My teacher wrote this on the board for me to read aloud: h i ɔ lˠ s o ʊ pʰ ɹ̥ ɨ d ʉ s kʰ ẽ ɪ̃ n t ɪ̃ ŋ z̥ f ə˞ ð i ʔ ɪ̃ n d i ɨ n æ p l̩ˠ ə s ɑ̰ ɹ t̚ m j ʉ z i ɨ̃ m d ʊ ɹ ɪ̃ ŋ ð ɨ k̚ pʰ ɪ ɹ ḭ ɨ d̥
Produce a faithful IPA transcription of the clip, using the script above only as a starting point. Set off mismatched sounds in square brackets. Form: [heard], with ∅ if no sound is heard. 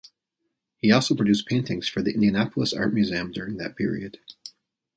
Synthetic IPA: h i ɔ lˠ s o ʊ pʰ ɹ̥ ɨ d ʉ s [pʰ] ẽ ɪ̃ n t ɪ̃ ŋ z̥ f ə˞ ð i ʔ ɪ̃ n d i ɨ n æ p l̩ˠ ə s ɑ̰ ɹ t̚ m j ʉ z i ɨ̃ m d ʊ ɹ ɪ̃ ŋ ð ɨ [t̚] pʰ ɪ ɹ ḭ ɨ d̥

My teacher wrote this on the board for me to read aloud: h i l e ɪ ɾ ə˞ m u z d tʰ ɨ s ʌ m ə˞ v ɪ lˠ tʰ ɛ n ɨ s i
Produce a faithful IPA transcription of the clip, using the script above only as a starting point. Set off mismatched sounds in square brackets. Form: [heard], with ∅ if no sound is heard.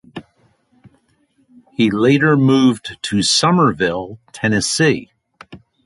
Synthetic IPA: h i l e ɪ ɾ ə˞ m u [v] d tʰ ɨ s ʌ m ə˞ v ɪ lˠ tʰ ɛ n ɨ s i

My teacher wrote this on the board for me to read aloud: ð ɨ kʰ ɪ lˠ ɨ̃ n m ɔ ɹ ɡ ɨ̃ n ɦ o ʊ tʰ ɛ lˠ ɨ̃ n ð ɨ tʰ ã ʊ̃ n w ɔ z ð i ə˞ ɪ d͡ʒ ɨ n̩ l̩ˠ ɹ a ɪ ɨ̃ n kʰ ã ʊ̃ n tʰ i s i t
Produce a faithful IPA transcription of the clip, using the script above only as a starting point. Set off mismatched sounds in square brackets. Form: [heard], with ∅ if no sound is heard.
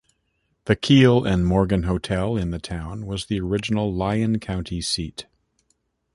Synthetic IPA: ð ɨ kʰ [i] lˠ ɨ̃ n m ɔ ɹ ɡ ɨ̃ n ɦ o ʊ tʰ ɛ lˠ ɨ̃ n ð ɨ tʰ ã ʊ̃ n w [ʌ] z ð i ə˞ ɪ d͡ʒ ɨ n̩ l̩ˠ [l] a ɪ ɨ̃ n kʰ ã ʊ̃ n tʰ i s i t

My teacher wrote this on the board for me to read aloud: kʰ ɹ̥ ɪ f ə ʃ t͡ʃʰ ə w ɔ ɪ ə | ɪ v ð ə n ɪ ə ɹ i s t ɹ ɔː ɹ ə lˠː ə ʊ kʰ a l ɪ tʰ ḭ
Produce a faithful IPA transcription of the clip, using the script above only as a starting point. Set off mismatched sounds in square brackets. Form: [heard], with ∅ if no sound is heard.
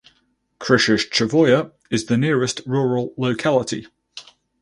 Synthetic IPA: kʰ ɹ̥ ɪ [ʃ] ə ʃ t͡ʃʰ ə [v] ɔ ɪ ə | ɪ [z] ð ə n ɪ ə ɹ [ɪ] s t ɹ ɔː ɹ ə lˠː ə ʊ kʰ a l ɪ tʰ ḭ

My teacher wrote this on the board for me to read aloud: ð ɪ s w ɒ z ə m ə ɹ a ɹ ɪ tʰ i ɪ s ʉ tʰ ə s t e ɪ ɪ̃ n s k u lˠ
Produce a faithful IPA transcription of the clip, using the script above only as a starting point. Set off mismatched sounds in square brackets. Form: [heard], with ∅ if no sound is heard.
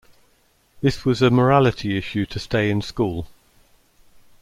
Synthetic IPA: ð ɪ s w ɒ z ə m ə ɹ a [l] ɪ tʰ i ɪ [ʃ] ʉ tʰ ə s t e ɪ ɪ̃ n s k [uː] lˠ

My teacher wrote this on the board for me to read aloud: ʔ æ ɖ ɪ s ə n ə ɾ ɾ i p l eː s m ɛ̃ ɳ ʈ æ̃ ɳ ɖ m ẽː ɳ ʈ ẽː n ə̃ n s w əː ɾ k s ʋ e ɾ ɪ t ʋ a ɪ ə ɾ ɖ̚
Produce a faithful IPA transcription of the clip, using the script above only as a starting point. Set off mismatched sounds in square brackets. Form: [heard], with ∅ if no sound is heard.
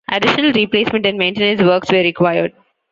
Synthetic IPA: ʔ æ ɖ ɪ [ʃ] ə n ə [l] ɾ i p l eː s m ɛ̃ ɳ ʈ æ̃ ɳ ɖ m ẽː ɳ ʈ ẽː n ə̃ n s [ʋ] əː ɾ k s ʋ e ɾ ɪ [k] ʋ a ɪ ə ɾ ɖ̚

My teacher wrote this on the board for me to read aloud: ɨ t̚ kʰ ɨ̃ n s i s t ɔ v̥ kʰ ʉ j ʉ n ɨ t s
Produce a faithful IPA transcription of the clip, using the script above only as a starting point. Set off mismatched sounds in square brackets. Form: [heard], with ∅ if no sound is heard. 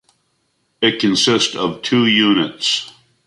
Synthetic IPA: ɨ t̚ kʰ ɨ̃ n s [ɪ] s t [ʌ] v̥ [tʰ] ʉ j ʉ n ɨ t s

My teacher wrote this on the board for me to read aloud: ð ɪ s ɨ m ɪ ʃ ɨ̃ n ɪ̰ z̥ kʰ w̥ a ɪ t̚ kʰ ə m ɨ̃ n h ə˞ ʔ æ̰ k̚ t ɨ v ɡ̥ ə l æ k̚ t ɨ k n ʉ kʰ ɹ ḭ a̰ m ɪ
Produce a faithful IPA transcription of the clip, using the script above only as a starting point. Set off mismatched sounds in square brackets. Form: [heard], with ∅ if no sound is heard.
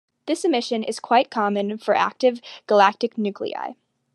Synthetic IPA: ð ɪ s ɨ m ɪ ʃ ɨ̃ n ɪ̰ z̥ kʰ w̥ a ɪ t̚ kʰ [ɑ] m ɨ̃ n [f] ə˞ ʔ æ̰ k̚ t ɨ v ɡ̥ ə l æ k̚ t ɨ k n ʉ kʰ [l] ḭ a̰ [∅] ɪ

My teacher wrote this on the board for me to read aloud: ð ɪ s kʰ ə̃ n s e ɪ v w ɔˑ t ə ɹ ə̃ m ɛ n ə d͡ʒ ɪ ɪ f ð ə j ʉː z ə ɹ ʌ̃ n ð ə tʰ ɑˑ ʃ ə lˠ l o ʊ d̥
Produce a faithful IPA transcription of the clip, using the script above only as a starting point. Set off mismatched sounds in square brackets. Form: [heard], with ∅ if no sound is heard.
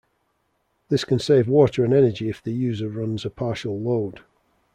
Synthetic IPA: ð ɪ s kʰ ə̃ n s e ɪ v w ɔˑ t ə ɹ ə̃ [n] ɛ n ə d͡ʒ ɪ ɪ f ð ə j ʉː z ə ɹ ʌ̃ n [z] ə [pʰ] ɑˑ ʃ ə lˠ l o ʊ d̥

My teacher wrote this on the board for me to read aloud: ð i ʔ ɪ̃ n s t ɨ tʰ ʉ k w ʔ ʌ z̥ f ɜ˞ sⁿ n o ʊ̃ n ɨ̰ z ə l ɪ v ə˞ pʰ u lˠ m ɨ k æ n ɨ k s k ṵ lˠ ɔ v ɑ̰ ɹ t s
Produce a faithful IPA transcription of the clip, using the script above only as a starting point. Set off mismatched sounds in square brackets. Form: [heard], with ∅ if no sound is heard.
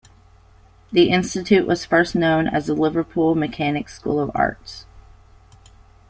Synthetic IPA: ð i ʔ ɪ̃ n s t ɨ tʰ ʉ [ʔ] w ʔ ʌ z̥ f ɜ˞ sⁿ n [õ] ʊ̃ n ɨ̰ z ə l ɪ v ə˞ pʰ u lˠ m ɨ [kʰ] æ n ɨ k s k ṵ lˠ [ʌ] v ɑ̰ ɹ t s

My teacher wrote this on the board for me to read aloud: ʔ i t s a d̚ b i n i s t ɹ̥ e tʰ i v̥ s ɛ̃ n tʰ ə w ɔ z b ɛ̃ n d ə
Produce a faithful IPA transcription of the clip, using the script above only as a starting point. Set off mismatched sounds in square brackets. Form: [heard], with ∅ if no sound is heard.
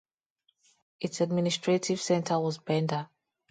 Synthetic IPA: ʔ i t s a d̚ [m] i n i s t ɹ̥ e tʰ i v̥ s ɛ̃ n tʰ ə w ɔ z b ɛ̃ n d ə

